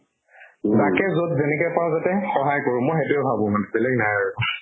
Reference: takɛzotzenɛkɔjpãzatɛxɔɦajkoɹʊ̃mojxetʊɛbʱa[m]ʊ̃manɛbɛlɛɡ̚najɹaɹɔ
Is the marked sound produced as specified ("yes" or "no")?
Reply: no